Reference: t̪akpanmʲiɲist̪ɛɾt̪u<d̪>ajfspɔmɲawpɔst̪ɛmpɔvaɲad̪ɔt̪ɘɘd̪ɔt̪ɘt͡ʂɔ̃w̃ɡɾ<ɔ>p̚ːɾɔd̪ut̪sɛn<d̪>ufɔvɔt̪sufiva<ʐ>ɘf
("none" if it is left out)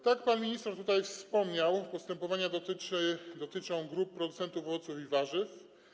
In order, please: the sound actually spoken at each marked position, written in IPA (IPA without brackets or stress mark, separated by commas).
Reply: t̪, u, t̪, ʐ